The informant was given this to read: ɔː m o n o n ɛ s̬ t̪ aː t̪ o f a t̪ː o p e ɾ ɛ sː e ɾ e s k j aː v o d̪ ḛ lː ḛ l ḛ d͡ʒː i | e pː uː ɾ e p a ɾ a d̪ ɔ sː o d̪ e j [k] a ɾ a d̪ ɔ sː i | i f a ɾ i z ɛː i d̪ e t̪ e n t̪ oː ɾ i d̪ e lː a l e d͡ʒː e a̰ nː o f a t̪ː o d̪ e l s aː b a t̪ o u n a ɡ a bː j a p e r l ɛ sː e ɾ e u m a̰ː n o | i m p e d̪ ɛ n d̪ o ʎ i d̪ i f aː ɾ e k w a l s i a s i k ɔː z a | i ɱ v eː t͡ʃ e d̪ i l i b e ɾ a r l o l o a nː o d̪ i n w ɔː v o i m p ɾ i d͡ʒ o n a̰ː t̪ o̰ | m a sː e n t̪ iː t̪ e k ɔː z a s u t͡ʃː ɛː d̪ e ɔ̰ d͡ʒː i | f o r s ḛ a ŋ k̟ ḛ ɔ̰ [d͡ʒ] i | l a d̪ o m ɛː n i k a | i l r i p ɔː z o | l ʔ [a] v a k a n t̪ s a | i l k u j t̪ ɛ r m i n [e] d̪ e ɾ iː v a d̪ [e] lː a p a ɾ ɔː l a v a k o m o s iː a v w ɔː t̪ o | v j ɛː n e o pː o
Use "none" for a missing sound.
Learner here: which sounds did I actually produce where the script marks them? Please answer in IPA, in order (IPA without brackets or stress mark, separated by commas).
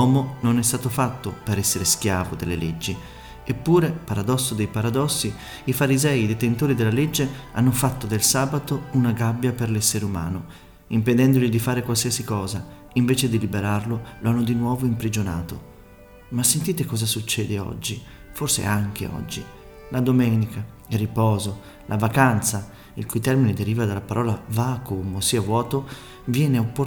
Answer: p, d͡ʒː, a, e, a